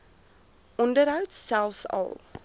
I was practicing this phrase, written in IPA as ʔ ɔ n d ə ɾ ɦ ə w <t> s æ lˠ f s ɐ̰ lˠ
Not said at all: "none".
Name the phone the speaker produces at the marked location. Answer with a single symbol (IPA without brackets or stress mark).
t